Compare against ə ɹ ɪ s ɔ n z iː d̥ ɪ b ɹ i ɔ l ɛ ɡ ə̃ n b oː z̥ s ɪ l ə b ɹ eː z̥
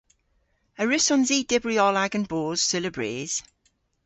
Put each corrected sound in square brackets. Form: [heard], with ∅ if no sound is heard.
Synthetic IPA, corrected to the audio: ə ɹ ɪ s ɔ n z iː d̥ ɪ b ɹ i ɔ l [a] ɡ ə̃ n b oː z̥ s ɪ l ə b ɹ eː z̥

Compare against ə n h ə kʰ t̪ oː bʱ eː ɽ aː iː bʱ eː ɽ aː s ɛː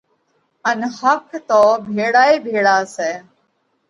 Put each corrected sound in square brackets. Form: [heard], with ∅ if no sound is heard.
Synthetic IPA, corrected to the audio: ə n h ə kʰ t̪ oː bʱ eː ɽ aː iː bʱ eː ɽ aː s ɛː

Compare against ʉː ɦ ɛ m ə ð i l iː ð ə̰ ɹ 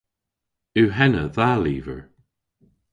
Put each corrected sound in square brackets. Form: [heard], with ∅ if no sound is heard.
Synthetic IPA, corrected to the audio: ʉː ɦ ɛ [n] ə ð [a] l iː [v] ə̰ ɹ

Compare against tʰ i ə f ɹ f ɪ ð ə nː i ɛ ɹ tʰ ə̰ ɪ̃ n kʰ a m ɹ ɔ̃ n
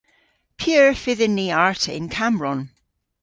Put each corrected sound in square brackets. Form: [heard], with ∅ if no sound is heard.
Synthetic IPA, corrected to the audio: [pʰ] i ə [∅] ɹ f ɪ ð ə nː i [a] ɹ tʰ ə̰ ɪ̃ n kʰ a m ɹ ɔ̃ n

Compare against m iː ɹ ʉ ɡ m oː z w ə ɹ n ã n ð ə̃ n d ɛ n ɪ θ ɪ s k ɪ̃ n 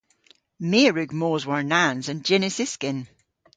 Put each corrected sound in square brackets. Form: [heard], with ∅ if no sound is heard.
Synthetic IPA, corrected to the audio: m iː ɹ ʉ ɡ m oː z w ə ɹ n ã n [z] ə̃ n [d͡ʒ] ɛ n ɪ [s] ɪ s k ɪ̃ n

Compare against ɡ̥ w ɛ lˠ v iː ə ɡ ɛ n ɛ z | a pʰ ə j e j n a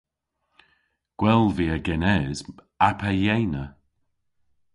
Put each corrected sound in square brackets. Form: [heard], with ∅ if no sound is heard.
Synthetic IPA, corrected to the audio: ɡ̥ w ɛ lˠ v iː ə ɡ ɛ n ɛ z | a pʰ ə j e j n [ə]

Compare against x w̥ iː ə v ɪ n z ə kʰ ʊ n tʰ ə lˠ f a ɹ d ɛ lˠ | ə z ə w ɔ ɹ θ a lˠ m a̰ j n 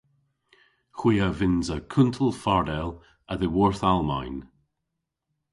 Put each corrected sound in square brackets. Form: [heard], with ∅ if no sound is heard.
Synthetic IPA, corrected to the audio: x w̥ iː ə v ɪ n z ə kʰ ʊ n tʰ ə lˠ f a ɹ d ɛ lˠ | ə [ð] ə w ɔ ɹ θ a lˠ m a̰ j n

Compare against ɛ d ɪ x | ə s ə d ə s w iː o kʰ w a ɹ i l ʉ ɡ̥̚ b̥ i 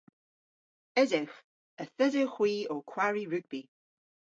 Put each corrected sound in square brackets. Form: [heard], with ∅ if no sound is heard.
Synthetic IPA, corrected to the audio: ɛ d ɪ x | ə [θ] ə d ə [x] w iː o kʰ w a ɹ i [ɹ] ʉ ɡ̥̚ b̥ i

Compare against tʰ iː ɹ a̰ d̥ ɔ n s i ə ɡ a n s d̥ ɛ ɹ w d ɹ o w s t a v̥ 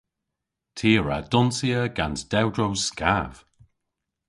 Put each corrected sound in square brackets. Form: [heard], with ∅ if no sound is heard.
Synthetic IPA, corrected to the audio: tʰ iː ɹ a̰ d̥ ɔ n s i ə ɡ a n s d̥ ɛ [∅] w d ɹ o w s [k] a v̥

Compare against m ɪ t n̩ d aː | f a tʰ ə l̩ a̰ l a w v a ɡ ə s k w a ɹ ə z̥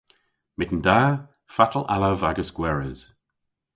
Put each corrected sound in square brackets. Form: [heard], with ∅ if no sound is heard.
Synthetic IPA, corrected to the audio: m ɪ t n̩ d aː | f a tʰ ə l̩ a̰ l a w v a ɡ ə s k w [ɛ] ɹ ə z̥

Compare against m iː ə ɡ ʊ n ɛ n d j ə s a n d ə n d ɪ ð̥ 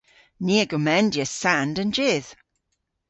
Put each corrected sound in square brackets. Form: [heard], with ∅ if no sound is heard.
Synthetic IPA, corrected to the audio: [n] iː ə ɡ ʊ [m] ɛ n d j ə s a n d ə n [d͡ʒ] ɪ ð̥

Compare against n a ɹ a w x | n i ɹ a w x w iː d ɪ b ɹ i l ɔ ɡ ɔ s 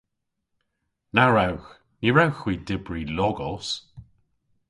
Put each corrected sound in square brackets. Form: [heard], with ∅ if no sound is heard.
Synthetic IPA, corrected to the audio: n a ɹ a w x | n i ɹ a w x w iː d ɪ b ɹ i l ɔ ɡ ɔ s

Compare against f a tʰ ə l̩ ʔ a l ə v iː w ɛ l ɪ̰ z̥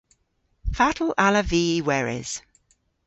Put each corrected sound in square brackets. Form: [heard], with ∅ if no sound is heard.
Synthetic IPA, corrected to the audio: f a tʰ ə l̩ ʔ a l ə v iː w ɛ [ɹ] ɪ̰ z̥

